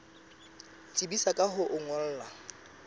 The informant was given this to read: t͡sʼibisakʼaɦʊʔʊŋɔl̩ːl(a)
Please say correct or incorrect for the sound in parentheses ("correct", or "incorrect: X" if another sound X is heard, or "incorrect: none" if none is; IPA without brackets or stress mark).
correct